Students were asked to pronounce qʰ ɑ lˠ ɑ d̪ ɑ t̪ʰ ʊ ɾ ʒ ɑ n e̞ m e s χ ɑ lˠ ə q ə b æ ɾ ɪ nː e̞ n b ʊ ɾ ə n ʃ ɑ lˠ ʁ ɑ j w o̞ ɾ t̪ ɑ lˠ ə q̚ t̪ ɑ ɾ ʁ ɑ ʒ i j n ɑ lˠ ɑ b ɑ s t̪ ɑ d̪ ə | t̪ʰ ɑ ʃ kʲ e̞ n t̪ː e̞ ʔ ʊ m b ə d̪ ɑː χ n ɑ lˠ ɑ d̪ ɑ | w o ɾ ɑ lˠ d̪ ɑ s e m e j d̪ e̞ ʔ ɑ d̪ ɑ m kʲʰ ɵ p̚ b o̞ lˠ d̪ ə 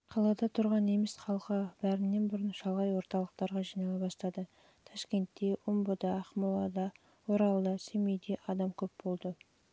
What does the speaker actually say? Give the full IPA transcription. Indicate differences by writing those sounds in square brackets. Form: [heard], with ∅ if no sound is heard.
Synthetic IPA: qʰ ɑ lˠ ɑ d̪ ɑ t̪ʰ ʊ ɾ [ʁ] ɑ n e̞ m e s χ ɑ lˠ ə q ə b æ ɾ ɪ nː e̞ n b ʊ ɾ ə n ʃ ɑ lˠ ʁ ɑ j w o̞ ɾ t̪ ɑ lˠ ə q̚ t̪ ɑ ɾ ʁ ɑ ʒ i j n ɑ lˠ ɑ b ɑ s t̪ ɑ d̪ ə | t̪ʰ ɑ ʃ kʲ e̞ n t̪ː e̞ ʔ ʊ m b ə d̪ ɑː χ [m] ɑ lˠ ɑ d̪ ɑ | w o ɾ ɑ lˠ d̪ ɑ s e m e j d̪ e̞ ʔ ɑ d̪ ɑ m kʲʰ ɵ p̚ b o̞ lˠ d̪ ə

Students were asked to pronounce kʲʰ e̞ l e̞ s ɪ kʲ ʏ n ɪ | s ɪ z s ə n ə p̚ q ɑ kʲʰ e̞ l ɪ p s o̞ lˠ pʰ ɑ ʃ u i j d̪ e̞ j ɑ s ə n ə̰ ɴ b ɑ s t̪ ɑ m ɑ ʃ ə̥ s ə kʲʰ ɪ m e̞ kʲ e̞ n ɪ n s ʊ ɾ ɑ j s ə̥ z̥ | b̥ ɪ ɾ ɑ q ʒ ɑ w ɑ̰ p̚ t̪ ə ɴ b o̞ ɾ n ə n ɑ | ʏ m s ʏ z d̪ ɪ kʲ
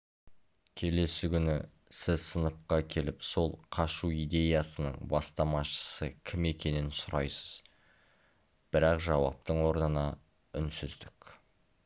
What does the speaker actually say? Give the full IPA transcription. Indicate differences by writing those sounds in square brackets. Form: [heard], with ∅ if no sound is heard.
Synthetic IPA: kʲʰ e̞ l e̞ s ɪ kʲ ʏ n ɪ | s ɪ z s ə n ə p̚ q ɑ kʲʰ e̞ l ɪ p s o̞ lˠ [qʰ] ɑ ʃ u i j d̪ e̞ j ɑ s ə n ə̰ ɴ b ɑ s t̪ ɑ m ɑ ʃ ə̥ s ə kʲʰ ɪ m e̞ kʲ e̞ n ɪ n s ʊ ɾ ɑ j s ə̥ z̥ | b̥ ɪ ɾ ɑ q ʒ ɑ w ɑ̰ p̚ t̪ ə ɴ [w] o̞ ɾ n ə n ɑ | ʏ [n] s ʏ z d̪ ɪ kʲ

